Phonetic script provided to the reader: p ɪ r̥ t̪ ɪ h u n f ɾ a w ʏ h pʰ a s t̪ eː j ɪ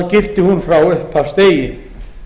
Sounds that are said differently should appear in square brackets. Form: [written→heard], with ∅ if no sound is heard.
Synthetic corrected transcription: [p→c] ɪ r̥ t̪ ɪ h u n f ɾ a w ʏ h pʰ a s t̪ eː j ɪ